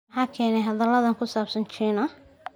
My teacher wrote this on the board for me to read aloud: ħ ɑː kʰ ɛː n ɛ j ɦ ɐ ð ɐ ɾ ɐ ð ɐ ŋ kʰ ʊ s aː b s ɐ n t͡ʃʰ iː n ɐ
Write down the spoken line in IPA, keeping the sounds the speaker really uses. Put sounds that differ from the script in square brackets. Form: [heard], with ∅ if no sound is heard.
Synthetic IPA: ħ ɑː kʰ ɛː n ɛ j ɦ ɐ ð ɐ [l] ɐ ð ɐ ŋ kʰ ʊ s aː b s ɐ n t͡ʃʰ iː n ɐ